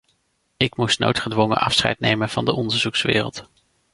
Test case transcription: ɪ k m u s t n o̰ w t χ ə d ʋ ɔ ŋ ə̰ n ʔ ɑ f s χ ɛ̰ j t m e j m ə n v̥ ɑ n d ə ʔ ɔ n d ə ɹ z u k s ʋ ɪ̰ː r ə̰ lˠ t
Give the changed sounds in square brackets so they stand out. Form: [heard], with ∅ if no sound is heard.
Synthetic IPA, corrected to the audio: ɪ k m u s t n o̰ w t χ ə d ʋ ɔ ŋ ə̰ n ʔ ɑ f s χ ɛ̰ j t [n] e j m ə n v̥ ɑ n d ə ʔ ɔ n d ə ɹ z u k s ʋ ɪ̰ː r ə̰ lˠ t

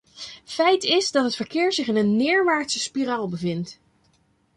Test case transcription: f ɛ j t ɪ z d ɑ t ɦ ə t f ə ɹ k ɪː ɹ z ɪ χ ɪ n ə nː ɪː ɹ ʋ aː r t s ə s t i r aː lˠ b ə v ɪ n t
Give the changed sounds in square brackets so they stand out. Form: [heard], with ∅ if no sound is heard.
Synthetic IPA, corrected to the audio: f ɛ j t ɪ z d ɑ t ɦ ə t f ə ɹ k ɪː ɹ z ɪ χ ɪ n ə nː ɪː ɹ ʋ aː [ɹ] t s ə s [p] i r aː lˠ b ə v ɪ n t

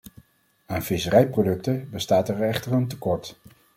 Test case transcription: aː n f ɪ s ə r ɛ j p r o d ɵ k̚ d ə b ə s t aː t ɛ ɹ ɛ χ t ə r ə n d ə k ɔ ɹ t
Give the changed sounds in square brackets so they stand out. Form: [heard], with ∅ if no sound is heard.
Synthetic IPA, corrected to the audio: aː n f ɪ s ə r ɛ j p r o d ɵ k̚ [t] ə b ə s t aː t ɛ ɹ ɛ χ t ə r ə n [t] ə k ɔ ɹ t

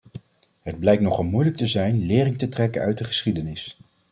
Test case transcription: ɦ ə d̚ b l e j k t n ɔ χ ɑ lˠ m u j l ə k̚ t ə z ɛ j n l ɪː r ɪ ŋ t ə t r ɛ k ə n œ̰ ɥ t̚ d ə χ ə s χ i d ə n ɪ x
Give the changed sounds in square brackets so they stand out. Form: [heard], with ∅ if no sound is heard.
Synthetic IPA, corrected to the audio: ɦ ə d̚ b l [ɛ] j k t n ɔ χ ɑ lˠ m u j l ə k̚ t ə z ɛ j n l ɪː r ɪ ŋ t ə t r ɛ k ə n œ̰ ɥ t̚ d ə χ ə s χ i d ə n ɪ [s]

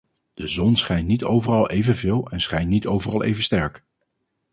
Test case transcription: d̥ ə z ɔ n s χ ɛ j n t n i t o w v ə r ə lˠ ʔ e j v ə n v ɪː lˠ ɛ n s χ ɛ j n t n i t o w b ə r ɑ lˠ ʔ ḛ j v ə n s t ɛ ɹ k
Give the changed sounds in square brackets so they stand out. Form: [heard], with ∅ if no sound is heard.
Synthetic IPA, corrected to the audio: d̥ ə z ɔ n s χ ɛ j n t n i t o w v ə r [ɑ] lˠ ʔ e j v ə n v ɪː lˠ ɛ n s χ ɛ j n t n i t o w [v] ə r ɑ lˠ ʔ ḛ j v ə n s t ɛ ɹ k

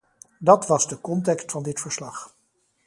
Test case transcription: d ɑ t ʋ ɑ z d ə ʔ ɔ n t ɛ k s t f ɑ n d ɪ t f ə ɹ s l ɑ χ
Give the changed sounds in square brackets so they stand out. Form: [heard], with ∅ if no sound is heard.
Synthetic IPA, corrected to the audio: d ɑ t ʋ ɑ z d ə [k] ɔ n t ɛ k s t f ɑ n d ɪ t f ə ɹ s l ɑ χ

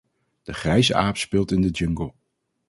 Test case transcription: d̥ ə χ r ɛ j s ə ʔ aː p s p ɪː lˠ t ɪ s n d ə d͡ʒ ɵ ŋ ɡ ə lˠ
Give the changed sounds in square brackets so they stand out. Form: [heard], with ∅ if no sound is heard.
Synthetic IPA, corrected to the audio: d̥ ə χ r ɛ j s ə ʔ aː p s p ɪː lˠ t ɪ [∅] n d ə d͡ʒ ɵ ŋ ɡ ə lˠ

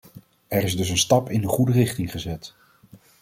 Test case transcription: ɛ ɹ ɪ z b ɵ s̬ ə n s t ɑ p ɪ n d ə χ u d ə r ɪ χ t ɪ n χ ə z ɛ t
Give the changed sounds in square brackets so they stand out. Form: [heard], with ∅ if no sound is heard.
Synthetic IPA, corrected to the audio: ɛ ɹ ɪ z [d] ɵ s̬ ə n s t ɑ p ɪ n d ə χ u d ə r ɪ χ t ɪ [ŋ] χ ə z ɛ t

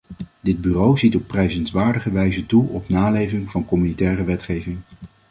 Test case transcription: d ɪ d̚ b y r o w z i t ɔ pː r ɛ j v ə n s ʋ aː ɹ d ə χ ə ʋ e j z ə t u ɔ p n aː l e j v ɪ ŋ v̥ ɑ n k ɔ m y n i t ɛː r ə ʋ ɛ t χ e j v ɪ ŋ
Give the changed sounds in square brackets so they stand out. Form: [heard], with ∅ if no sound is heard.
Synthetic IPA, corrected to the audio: d ɪ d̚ b y r o w z i t ɔ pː r ɛ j [z] ə n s ʋ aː ɹ d ə χ ə ʋ [ɛ] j z ə t u ɔ p n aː l e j v ɪ ŋ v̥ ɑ n k ɔ m y n i t ɛː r ə ʋ ɛ t χ e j v ɪ ŋ

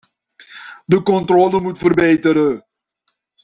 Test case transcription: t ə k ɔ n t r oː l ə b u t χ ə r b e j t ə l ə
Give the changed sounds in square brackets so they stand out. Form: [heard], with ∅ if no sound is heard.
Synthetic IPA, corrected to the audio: [d] ə k ɔ n t r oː l ə [m] u t [f] ə r b e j t ə [ɾ] ə

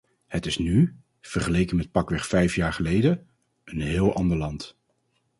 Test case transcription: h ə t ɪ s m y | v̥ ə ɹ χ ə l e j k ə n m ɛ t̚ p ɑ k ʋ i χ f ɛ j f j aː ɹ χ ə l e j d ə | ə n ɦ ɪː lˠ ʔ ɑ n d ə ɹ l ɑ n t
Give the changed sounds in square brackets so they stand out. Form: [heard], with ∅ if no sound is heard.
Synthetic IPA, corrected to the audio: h ə t ɪ s [n] y | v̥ ə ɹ χ ə l e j k ə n m ɛ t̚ p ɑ k ʋ [ɛ] χ f ɛ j f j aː ɹ χ ə l e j d ə | ə n ɦ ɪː lˠ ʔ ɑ n d ə ɹ l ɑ n t

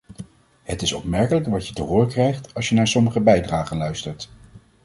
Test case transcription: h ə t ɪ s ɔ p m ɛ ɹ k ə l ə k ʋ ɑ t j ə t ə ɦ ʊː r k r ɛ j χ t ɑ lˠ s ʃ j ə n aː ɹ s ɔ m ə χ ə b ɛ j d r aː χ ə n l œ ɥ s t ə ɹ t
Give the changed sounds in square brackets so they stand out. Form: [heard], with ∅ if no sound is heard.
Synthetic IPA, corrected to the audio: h ə t ɪ s ɔ p m ɛ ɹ k ə l ə k ʋ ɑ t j ə t ə ɦ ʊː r k r ɛ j χ t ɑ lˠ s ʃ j ə n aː ɹ s ɔ m ə χ ə b ɛ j d r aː χ ə n l œ ɥ s t ə ɹ t

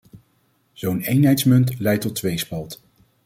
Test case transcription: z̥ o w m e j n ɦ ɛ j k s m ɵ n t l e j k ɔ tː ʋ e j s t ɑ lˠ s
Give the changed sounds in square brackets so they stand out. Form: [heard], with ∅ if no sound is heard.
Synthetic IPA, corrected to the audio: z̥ o w [n] e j n ɦ ɛ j [t] s m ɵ n t l [ɛ] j [t] ɔ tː ʋ e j s [p] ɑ lˠ [t]

